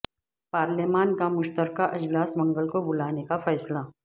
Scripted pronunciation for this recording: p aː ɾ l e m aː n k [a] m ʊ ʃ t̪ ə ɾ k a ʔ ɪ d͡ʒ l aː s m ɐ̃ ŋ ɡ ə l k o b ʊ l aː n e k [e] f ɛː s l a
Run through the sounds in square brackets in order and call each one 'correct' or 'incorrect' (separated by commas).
correct, incorrect